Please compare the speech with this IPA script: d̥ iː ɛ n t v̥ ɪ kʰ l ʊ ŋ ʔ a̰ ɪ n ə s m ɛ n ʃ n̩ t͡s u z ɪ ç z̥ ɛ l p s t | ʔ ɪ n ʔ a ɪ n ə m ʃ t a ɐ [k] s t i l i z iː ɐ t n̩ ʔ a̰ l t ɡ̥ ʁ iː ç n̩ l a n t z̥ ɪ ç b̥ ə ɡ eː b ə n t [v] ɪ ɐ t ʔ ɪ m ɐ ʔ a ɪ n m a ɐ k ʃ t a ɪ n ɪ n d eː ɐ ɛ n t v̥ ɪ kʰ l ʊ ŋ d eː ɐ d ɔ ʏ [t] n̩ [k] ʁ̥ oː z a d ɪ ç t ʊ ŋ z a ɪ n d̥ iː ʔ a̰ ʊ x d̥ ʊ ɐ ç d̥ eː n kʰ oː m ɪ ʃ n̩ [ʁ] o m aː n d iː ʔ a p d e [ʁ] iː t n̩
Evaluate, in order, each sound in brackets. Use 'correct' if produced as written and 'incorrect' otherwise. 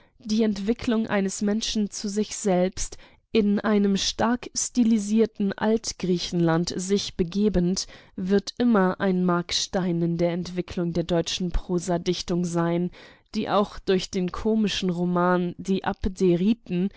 correct, correct, incorrect: t͡ʃ, incorrect: p, correct, correct

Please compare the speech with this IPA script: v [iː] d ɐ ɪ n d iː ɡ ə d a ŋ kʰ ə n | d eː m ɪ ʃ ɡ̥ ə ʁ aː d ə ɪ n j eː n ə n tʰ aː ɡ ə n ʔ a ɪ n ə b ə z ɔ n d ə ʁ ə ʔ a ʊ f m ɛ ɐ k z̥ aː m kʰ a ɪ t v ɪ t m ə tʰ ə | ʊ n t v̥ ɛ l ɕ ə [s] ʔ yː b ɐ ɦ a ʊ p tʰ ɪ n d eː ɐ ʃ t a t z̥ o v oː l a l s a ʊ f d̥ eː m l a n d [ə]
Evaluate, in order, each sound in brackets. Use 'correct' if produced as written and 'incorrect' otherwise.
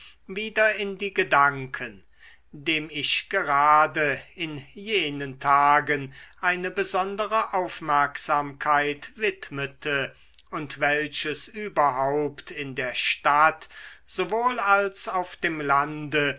correct, correct, correct

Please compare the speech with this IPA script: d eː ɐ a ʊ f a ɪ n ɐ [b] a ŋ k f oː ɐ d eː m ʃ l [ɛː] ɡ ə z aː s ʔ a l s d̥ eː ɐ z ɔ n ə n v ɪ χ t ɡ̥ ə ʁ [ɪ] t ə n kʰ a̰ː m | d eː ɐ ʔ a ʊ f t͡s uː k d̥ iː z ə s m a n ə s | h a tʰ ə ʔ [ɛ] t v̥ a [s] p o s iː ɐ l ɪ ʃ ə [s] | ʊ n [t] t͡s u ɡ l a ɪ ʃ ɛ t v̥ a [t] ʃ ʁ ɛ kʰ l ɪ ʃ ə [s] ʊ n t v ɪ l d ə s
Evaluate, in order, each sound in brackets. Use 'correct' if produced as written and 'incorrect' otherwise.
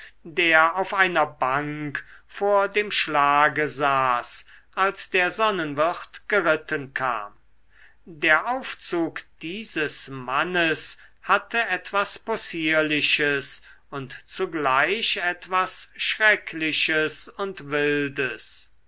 correct, incorrect: aː, correct, correct, correct, correct, correct, incorrect: s, correct

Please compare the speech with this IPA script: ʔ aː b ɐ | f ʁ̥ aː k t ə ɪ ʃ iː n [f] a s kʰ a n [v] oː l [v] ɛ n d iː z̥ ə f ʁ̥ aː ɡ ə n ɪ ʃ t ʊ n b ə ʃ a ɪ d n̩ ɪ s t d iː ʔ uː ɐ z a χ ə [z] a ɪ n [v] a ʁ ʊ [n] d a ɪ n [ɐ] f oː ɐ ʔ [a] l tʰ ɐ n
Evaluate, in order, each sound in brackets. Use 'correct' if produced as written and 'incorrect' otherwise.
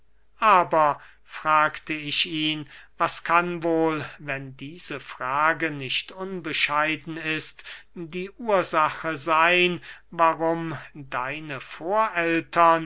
incorrect: v, correct, correct, correct, correct, incorrect: m, incorrect: ə, incorrect: ɛ

